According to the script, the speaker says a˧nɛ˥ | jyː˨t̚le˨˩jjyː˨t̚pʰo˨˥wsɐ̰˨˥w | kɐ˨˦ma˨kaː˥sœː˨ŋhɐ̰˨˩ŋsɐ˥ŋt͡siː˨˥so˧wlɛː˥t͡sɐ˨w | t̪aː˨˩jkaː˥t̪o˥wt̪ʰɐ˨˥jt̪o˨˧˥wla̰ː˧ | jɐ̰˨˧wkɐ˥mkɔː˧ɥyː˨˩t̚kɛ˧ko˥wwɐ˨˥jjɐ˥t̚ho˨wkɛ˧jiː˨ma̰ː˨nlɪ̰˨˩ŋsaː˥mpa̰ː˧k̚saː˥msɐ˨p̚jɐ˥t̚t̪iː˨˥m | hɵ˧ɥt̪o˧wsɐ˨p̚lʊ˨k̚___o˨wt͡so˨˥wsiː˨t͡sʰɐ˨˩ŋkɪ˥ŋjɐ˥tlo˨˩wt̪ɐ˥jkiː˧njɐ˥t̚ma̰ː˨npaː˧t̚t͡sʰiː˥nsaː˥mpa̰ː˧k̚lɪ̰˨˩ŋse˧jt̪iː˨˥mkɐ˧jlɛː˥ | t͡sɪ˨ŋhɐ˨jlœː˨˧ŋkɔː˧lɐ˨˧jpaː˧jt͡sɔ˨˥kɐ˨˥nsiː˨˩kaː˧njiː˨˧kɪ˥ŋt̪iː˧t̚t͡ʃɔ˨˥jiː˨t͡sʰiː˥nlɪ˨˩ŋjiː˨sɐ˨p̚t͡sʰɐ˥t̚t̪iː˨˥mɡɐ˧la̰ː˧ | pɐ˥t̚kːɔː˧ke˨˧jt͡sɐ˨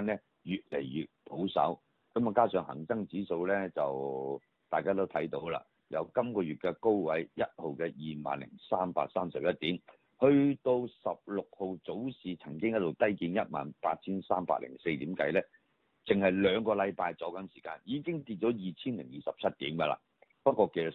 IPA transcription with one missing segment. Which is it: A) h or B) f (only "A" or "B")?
A